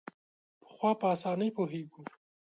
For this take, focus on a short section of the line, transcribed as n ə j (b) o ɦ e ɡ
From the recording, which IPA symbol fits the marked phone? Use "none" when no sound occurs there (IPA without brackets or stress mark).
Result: p